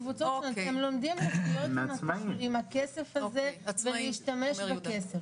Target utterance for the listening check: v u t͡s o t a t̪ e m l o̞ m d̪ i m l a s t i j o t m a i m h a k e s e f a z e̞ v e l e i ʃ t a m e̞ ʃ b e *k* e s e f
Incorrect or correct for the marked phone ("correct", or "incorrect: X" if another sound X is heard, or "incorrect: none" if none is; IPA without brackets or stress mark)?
correct